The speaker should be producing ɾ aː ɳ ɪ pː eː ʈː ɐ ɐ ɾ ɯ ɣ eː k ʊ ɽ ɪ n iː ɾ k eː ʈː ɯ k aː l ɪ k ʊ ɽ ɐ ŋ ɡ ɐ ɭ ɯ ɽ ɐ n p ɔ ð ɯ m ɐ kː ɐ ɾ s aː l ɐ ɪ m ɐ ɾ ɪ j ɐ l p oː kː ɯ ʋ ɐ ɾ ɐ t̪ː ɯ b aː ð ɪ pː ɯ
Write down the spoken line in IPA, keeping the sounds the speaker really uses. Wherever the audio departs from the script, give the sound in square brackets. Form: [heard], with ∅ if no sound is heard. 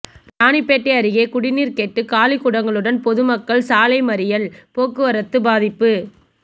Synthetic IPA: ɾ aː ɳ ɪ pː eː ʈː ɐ ɐ ɾ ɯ ɣ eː k ʊ ɽ ɪ n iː ɾ k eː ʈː ɯ k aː l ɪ k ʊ ɽ ɐ ŋ ɡ ɐ ɭ ɯ ɽ ɐ n p ɔ ð ɯ m ɐ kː ɐ [ɭ] s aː l ɐ ɪ m ɐ ɾ ɪ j ɐ l p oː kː ɯ ʋ ɐ ɾ ɐ t̪ː ɯ b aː ð ɪ pː ɯ